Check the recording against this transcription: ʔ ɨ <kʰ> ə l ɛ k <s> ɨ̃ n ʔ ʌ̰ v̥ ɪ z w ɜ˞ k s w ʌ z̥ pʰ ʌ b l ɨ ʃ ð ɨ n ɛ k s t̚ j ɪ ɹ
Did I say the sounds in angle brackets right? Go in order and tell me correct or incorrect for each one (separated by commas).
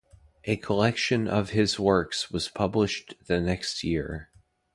correct, incorrect